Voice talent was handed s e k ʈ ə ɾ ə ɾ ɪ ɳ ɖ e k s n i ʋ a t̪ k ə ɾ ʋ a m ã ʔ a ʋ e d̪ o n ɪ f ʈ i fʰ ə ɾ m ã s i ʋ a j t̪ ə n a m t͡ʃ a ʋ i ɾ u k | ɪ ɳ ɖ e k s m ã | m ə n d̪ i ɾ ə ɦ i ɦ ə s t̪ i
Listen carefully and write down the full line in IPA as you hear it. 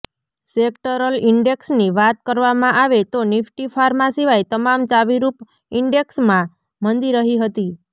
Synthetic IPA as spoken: s e k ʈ ə ɾ ə l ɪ ɳ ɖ e k s n i ʋ a t̪ k ə ɾ ʋ a m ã ʔ a ʋ e t̪ o n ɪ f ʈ i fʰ a ɾ m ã s i ʋ a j t̪ ə m a m t͡ʃ a ʋ i ɾ u p | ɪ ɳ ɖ e k s m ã | m ə n d̪ i ɾ ə ɦ i ɦ ə t̪ i